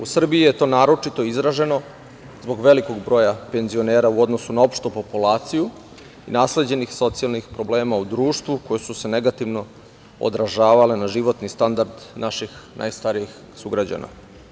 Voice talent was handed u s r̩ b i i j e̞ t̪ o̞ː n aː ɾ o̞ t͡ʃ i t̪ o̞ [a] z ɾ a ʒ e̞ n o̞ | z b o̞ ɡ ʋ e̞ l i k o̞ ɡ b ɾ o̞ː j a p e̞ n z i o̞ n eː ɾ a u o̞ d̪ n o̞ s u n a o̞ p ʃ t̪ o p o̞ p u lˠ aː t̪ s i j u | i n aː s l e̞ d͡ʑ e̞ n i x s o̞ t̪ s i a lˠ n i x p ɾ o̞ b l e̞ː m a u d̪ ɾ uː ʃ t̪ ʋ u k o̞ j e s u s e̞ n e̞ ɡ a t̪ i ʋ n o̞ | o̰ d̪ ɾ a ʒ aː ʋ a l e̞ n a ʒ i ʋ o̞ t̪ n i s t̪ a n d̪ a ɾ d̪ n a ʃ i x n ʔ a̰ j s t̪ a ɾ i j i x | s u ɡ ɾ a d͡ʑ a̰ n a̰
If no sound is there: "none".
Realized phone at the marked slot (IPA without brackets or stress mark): i